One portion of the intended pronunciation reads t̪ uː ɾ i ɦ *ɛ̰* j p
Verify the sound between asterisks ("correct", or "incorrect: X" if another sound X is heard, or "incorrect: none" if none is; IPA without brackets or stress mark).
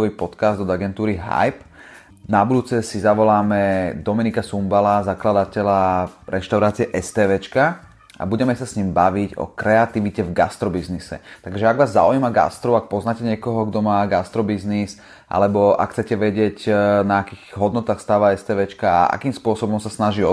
incorrect: a̰